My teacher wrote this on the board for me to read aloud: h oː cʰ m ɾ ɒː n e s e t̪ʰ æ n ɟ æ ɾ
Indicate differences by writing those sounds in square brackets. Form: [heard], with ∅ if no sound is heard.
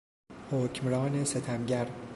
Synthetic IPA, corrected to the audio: h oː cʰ m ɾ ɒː n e s e t̪ʰ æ [m] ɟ æ ɾ